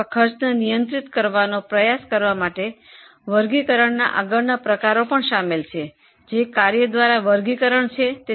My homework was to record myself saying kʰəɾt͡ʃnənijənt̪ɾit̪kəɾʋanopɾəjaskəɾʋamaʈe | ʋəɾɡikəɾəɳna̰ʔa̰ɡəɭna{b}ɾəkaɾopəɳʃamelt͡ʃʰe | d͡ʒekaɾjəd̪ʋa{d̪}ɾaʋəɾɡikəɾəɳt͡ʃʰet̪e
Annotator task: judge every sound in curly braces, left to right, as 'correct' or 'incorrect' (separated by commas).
incorrect, incorrect